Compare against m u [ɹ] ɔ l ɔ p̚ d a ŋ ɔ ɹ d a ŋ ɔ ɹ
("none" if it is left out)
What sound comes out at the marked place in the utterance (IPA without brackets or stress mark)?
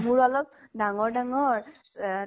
ɹ